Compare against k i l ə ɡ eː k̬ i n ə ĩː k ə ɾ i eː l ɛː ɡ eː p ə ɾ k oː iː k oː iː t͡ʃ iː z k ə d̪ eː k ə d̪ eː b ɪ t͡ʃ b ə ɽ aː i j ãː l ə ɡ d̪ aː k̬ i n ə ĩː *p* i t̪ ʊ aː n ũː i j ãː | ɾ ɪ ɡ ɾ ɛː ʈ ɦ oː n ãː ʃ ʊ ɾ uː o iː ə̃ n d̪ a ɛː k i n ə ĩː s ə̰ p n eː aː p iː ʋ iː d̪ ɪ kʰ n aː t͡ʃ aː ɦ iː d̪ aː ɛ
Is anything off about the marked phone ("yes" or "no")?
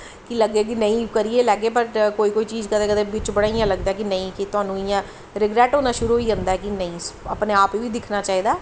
yes